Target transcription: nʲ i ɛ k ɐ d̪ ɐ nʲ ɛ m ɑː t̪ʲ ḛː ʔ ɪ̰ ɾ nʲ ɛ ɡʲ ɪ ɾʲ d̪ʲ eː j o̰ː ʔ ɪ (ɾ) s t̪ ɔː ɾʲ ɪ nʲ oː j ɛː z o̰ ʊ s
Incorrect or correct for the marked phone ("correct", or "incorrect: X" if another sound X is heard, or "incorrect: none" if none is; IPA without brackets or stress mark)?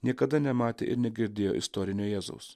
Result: incorrect: none